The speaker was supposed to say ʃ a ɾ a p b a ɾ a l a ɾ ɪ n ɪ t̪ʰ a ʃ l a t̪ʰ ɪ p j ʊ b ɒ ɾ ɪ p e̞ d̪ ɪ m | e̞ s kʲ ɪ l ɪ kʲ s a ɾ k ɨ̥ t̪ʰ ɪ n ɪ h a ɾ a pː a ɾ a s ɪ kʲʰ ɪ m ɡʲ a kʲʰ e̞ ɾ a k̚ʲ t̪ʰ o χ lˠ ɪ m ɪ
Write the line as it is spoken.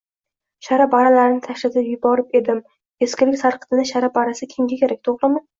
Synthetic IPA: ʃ a ɾ a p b a ɾ a l a ɾ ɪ n ɪ t̪ʰ a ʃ l a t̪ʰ ɪ p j ʊ b ɒ ɾ ɪ p e̞ d̪ ɪ m | e̞ s kʲ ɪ l ɪ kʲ s a ɾ q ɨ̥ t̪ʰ ɪ n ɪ ʃ a ɾ a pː a ɾ a s ɪ kʲʰ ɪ m ɡʲ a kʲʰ e̞ ɾ a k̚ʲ t̪ʰ o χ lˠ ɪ m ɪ